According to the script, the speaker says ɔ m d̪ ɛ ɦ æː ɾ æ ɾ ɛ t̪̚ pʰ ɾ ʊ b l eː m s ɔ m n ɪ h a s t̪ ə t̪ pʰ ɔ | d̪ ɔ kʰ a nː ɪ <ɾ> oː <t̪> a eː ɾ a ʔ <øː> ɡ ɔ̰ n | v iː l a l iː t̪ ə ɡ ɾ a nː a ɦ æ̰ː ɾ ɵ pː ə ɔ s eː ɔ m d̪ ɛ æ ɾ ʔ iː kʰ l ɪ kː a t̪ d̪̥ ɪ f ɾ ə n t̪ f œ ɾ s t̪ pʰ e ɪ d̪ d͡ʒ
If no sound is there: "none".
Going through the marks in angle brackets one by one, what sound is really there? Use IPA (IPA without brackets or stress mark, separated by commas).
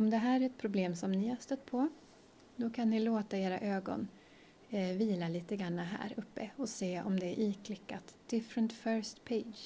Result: l, t̪, øː